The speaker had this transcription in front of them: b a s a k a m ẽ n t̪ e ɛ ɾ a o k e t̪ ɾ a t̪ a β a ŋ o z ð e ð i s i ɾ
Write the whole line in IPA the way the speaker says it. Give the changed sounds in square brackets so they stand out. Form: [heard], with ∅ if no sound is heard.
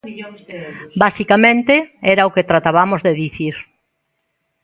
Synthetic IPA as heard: b a s [i] k a m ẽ n t̪ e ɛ ɾ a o k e t̪ ɾ a t̪ a β a [m] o z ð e ð i [θ] i ɾ